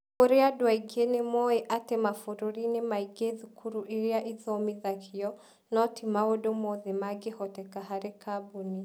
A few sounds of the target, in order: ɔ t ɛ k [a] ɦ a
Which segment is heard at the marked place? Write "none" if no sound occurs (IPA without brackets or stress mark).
a